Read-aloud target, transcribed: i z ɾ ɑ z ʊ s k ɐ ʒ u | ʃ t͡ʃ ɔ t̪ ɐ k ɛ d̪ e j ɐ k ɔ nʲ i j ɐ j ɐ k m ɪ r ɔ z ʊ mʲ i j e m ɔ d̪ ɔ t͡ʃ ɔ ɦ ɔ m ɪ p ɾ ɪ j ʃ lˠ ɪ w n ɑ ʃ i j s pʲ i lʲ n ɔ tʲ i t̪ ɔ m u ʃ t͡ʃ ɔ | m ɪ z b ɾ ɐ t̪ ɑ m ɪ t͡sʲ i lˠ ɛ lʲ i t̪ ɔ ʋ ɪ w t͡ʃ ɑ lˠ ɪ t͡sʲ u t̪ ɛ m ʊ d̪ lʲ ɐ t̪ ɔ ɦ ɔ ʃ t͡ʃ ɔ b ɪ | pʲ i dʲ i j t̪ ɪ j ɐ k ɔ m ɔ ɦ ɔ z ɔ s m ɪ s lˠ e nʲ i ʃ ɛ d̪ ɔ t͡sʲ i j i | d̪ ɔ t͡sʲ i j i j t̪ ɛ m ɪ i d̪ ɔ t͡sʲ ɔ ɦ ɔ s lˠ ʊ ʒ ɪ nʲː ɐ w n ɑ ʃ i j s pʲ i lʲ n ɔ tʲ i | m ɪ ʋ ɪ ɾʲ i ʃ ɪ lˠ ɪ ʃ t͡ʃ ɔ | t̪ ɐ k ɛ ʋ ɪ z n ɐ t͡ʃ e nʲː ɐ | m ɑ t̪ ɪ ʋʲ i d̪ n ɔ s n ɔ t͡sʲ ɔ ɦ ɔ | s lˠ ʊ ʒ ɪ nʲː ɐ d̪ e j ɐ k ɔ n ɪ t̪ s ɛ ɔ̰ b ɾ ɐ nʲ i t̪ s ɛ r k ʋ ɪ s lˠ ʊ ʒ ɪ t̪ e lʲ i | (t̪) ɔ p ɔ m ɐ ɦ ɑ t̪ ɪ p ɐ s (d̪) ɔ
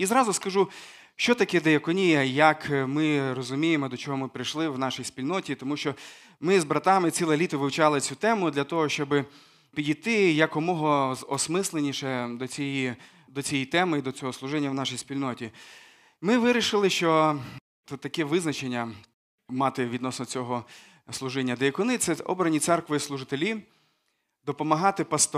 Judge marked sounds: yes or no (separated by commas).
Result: no, no